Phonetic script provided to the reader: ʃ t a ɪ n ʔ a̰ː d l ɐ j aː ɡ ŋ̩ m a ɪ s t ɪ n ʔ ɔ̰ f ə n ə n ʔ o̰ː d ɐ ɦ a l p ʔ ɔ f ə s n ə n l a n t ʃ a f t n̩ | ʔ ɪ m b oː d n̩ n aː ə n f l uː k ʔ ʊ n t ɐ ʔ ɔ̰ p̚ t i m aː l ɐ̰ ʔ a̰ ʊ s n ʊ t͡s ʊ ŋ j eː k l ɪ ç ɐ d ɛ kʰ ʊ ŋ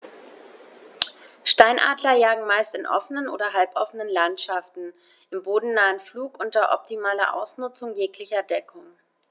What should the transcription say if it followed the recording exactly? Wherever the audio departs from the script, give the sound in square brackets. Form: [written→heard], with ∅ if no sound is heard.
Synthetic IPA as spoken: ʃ t a ɪ n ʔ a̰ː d l ɐ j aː ɡ ŋ̩ m a ɪ s t ɪ n ʔ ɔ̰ f ə n ə n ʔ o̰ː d ɐ ɦ a l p ʔ ɔ f ə [s→∅] n ə n l a n t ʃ a f t n̩ | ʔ ɪ m b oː d n̩ n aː ə n f l uː k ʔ ʊ n t ɐ ʔ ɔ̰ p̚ t i m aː l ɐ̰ ʔ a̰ ʊ s n ʊ t͡s ʊ ŋ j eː k l ɪ ç ɐ d ɛ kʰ ʊ ŋ